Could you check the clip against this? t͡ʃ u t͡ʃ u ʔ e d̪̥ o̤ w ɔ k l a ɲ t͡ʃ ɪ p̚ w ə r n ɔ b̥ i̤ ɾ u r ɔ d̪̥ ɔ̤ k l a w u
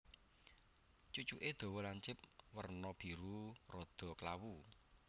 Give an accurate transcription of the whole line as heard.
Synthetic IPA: t͡ʃ u t͡ʃ u ʔ e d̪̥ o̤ w ɔ l a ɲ t͡ʃ ɪ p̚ w ə r n ɔ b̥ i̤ ɾ u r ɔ d̪̥ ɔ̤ k l a w u